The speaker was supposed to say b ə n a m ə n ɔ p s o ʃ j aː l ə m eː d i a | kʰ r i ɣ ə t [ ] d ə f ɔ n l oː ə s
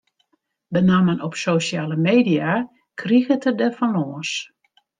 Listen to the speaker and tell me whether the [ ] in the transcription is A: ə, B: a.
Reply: A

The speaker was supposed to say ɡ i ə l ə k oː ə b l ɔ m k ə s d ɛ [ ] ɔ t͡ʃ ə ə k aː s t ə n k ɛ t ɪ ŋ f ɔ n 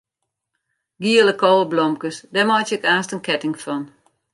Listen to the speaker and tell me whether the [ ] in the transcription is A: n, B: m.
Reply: B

